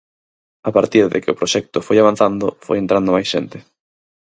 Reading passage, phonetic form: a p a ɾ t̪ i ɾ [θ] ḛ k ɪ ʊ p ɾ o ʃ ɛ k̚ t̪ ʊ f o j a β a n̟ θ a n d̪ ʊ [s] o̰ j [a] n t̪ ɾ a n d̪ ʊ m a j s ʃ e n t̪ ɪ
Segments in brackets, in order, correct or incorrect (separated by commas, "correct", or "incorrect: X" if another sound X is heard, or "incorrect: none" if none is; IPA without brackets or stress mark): incorrect: ð, incorrect: f, incorrect: e